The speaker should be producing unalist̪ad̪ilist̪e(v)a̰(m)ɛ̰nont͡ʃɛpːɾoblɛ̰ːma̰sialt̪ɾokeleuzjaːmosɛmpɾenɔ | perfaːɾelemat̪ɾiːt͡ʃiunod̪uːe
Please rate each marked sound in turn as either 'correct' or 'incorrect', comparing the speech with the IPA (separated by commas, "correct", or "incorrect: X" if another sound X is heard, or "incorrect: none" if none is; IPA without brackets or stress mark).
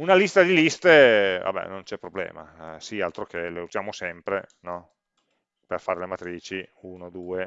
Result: correct, incorrect: b